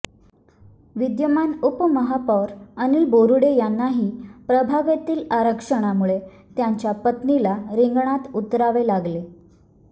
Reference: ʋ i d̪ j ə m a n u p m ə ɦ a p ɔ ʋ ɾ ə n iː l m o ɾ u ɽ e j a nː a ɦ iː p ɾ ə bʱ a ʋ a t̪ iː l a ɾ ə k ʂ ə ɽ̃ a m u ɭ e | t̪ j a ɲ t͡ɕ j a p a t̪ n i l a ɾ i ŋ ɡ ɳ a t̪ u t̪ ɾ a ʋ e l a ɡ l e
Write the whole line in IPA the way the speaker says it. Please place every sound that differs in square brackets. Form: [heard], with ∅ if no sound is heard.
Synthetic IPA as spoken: ʋ i d̪ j ə m a n u p m ə ɦ a p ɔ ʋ ɾ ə n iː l [b] o ɾ u ɽ e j a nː a ɦ iː p ɾ ə bʱ a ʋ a t̪ iː l a ɾ ə k ʂ ə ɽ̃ a m u ɭ e | t̪ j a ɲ t͡ɕ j a p [ə] t̪ n i l a ɾ i ŋ ɡ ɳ a t̪ u t̪ ɾ a ʋ e l a ɡ l e

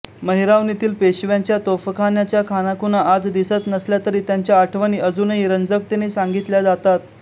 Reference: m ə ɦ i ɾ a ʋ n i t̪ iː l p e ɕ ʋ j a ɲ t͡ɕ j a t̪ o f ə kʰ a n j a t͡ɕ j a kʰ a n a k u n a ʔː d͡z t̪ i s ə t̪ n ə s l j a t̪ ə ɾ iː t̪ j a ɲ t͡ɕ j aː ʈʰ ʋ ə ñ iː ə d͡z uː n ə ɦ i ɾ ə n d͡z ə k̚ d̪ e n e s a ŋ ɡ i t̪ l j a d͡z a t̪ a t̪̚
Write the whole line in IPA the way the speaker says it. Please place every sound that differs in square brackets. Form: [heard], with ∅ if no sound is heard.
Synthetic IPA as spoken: m ə ɦ i ɾ a ʋ n i t̪ iː l p e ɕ ʋ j a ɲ t͡ɕ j a t̪ o f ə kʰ a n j a t͡ɕ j a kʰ a n a k u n a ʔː d͡z [d̪] i s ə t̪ n ə s l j a t̪ ə ɾ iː t̪ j a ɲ t͡ɕ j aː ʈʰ ʋ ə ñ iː ə d͡z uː n ə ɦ i ɾ ə n d͡z ə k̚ [t̪] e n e s a ŋ ɡ i t̪ l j a d͡z a t̪ a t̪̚

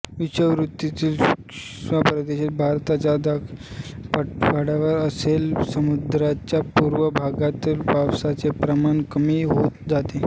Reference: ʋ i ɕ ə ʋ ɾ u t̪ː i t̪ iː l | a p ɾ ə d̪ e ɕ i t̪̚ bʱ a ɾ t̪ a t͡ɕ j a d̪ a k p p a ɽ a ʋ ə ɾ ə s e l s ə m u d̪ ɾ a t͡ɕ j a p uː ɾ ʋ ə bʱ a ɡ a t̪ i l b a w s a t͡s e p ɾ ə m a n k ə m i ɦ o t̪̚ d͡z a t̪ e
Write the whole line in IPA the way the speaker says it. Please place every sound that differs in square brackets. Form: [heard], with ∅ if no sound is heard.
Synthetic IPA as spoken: ʋ i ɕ ə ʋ ɾ u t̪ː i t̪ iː l | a p ɾ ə d̪ e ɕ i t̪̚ bʱ a ɾ t̪ a t͡ɕ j a d̪ a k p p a ɽ a ʋ ə ɾ ə s e l s ə m u d̪ ɾ a t͡ɕ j a p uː ɾ ʋ ə bʱ a ɡ a t̪ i l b a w s a t͡s e p ɾ ə m a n k ə m i ɦ o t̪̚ d͡z a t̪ e

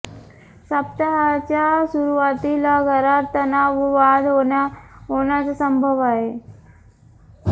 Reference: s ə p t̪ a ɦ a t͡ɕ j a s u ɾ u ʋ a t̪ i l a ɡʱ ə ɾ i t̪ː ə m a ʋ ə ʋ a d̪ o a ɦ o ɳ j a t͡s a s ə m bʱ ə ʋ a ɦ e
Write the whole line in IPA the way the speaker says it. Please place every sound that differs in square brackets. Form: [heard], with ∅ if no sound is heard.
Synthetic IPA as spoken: s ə p t̪ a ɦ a t͡ɕ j a s u ɾ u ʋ a t̪ i l a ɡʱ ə ɾ [a] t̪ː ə [n] a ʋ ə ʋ a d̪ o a ɦ o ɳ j a t͡s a s ə m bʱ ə ʋ a ɦ e

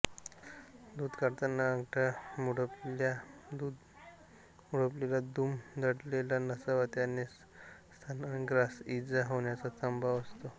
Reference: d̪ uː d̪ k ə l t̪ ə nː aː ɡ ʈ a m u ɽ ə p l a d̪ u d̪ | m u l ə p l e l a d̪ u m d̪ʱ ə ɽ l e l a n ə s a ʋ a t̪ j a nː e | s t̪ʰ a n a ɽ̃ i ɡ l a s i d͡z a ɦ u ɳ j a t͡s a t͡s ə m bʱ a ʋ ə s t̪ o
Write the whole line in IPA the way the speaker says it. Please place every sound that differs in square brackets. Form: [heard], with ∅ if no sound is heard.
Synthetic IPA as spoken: d̪ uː d̪ k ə [ɾ] t̪ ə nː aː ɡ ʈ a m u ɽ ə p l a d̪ u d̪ | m u [ɽ] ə p l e l a d̪ u m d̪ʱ ə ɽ l e l a n ə s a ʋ a t̪ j a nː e | s t̪ʰ a n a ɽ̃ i ɡ [ɾ] a s i d͡z a ɦ [o] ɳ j a t͡s a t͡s ə m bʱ a ʋ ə s t̪ o

